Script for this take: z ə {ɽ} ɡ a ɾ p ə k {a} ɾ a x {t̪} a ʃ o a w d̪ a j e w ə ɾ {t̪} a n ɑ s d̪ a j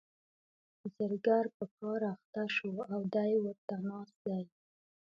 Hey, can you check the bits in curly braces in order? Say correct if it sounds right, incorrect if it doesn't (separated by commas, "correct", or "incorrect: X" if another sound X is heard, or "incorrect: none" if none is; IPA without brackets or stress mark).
incorrect: ɾ, incorrect: ɑ, correct, correct